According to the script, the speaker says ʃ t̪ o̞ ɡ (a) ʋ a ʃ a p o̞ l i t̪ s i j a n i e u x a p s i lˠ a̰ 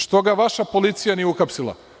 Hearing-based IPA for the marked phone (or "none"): a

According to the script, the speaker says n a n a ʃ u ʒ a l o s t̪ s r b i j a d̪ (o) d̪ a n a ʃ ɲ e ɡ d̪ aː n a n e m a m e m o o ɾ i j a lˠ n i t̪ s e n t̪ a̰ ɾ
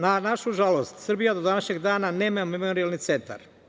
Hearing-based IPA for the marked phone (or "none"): o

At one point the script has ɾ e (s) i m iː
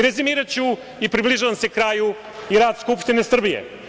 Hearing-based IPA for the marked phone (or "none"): z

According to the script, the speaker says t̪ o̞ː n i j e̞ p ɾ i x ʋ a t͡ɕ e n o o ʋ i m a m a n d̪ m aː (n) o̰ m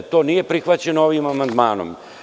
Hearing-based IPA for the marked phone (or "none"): n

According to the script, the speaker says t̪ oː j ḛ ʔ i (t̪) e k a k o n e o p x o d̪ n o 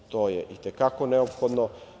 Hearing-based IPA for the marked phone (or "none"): t̪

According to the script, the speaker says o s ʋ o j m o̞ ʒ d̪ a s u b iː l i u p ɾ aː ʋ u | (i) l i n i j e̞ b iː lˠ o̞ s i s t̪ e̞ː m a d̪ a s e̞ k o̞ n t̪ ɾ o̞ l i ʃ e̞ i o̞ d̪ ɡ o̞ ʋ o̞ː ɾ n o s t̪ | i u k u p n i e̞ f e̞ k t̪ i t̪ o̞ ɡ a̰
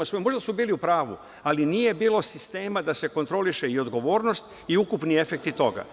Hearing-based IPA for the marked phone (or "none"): a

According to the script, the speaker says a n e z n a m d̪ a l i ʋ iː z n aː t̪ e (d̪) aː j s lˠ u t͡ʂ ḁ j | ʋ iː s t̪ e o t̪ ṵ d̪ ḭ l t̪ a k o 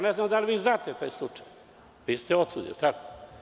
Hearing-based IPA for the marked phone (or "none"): t̪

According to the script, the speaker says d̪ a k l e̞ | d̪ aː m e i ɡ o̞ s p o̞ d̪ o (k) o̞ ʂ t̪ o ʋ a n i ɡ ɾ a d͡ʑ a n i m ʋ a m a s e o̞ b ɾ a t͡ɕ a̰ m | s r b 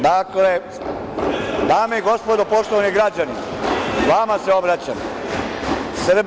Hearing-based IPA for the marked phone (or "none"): p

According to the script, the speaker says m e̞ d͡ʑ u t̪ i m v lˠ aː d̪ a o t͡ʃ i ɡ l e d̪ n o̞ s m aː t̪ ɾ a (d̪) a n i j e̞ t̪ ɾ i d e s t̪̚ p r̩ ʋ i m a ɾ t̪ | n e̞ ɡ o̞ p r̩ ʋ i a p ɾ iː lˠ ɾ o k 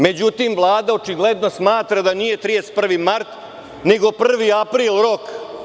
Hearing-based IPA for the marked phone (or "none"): d̪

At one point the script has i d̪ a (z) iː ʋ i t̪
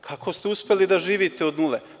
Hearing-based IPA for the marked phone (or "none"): ʒ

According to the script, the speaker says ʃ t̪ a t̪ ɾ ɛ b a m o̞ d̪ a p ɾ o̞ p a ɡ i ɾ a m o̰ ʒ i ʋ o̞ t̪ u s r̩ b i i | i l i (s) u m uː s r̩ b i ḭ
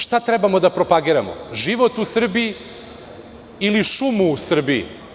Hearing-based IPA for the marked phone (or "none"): ʃ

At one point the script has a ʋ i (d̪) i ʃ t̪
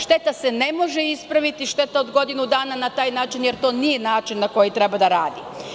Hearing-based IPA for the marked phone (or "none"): t̪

